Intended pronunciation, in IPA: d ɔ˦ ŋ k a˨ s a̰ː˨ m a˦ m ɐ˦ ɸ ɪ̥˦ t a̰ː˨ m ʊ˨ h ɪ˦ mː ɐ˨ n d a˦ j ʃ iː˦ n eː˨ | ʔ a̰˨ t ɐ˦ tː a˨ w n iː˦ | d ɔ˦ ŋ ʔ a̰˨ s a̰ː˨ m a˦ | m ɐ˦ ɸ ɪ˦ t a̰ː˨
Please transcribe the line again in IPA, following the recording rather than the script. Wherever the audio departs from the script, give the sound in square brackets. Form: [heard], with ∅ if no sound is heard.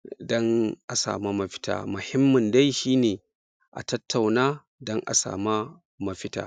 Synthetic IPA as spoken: d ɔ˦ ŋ [ʔ] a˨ s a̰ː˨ m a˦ m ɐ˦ ɸ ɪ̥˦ t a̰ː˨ m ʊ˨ h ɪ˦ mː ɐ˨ n d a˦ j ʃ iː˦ n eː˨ | ʔ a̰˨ t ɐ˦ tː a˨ w n [aː˦] | d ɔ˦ ŋ ʔ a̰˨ s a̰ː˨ m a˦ | m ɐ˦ ɸ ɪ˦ t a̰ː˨

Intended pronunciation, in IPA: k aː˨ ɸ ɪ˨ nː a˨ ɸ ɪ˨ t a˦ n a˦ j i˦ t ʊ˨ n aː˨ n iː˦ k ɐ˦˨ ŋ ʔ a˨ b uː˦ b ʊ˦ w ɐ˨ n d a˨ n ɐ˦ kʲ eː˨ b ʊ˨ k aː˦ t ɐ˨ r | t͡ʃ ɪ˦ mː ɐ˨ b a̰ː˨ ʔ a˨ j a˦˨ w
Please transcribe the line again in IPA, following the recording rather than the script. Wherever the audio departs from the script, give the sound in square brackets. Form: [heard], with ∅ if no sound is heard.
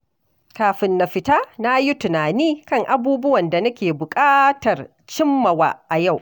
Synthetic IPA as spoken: k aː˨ ɸ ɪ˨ nː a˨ ɸ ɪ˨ t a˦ n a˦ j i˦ t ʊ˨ n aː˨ n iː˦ k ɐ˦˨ ŋ ʔ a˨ b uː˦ b ʊ˦ w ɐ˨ n d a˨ n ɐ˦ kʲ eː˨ b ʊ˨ [kʼ] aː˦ t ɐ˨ r | t͡ʃ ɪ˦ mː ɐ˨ [w] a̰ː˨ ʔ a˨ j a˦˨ w

